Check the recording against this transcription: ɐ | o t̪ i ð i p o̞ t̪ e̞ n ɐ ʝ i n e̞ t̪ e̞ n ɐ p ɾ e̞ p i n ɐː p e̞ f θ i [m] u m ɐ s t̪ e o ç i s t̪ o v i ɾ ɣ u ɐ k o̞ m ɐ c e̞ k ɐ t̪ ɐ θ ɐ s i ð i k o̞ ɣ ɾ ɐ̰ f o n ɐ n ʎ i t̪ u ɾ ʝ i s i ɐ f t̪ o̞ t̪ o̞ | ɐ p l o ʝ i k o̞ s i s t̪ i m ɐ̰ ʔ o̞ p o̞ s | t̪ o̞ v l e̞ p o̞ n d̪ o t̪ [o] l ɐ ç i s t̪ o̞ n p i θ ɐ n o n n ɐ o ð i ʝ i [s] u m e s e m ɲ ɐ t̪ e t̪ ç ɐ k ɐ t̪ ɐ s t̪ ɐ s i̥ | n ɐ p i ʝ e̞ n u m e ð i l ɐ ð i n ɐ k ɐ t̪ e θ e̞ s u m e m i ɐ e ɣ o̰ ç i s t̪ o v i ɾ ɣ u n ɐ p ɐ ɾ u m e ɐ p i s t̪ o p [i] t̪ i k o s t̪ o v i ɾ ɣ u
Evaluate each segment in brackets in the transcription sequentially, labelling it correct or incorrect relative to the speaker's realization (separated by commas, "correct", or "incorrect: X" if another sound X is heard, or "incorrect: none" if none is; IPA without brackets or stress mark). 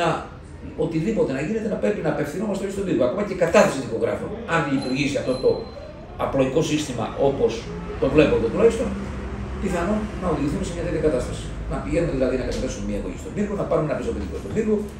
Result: incorrect: n, incorrect: u, incorrect: θ, correct